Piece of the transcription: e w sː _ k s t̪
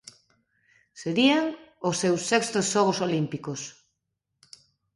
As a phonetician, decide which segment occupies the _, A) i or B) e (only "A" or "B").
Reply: B